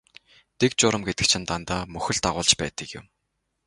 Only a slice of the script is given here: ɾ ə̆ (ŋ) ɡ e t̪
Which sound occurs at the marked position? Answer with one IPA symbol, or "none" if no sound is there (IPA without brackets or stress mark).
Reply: m